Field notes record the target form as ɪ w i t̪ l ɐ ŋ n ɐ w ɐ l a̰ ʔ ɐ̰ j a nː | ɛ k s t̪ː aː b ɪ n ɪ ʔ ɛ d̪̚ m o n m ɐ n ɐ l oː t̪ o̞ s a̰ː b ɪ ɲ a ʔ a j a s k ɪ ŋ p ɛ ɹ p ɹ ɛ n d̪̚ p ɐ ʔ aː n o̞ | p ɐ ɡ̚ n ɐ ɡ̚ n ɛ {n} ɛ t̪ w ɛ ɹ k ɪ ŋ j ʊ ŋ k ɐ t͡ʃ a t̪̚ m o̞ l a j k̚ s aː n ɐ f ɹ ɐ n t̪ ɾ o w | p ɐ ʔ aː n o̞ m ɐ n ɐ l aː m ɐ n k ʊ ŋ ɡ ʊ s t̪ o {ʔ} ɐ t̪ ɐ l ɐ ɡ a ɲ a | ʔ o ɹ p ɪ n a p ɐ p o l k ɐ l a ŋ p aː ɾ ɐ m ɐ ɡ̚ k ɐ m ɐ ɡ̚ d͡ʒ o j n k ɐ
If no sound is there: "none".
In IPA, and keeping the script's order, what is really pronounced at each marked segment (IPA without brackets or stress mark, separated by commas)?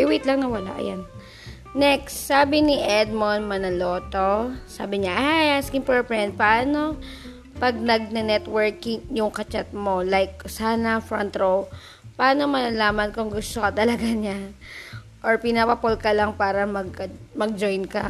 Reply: n, k